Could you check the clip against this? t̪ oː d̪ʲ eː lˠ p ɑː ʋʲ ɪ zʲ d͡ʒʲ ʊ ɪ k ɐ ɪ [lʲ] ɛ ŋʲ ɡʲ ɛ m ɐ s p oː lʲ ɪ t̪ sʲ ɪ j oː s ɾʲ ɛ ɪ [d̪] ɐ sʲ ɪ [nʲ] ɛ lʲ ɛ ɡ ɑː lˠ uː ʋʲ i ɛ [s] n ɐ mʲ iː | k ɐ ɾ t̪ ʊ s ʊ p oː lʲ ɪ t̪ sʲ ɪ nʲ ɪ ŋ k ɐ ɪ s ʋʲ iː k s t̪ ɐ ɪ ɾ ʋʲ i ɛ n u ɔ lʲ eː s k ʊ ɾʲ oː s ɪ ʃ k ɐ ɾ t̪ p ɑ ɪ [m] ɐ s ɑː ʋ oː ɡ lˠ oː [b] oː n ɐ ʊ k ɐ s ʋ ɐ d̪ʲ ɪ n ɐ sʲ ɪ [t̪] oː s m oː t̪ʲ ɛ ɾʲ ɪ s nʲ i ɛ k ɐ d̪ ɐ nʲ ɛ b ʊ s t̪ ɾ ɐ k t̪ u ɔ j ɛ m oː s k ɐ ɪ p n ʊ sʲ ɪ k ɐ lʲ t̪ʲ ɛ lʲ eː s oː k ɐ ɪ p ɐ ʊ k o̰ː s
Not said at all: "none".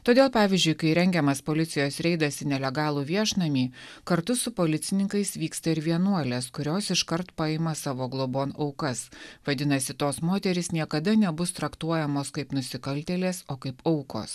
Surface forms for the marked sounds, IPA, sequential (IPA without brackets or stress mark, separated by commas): ɾʲ, d̪, nʲ, ʃ, m, b, t̪